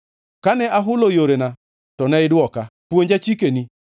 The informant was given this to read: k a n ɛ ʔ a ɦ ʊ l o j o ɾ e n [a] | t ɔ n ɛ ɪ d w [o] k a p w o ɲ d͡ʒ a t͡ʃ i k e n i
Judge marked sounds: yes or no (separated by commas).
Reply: yes, no